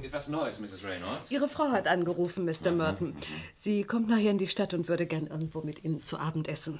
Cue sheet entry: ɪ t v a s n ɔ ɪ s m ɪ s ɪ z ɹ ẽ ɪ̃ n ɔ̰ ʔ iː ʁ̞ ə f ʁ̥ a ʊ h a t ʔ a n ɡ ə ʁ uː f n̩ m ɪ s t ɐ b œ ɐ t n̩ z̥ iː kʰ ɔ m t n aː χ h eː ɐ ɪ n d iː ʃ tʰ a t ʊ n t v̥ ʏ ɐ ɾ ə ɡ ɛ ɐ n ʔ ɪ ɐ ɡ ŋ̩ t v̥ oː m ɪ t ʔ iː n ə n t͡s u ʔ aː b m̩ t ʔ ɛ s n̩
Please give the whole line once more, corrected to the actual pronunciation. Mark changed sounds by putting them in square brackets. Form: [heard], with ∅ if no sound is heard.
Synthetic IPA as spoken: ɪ t v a s n ɔ ɪ s m ɪ s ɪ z ɹ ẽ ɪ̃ n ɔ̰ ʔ iː ʁ̞ ə f ʁ̥ a ʊ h a t ʔ a n ɡ ə ʁ uː f n̩ m ɪ s t ɐ [m] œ ɐ t n̩ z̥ iː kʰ ɔ m t n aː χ h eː ɐ ɪ n d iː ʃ [t] a t ʊ n t v̥ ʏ ɐ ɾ ə ɡ ɛ ɐ n ʔ ɪ ɐ ɡ ŋ̩ t v̥ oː m ɪ t ʔ iː n ə n t͡s u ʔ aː b m̩ t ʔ ɛ s n̩